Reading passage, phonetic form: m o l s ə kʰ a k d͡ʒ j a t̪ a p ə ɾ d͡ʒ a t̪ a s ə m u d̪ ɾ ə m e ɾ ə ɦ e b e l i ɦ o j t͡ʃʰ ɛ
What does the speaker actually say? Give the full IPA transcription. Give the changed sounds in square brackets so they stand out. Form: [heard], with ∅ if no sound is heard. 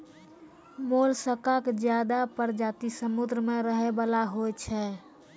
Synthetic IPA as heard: m o l s ə [k] a k d͡ʒ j a [d̪] a p ə ɾ d͡ʒ a t̪ [i] s ə m u d̪ ɾ ə m e ɾ ə ɦ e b [a] l [a] ɦ o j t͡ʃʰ ɛ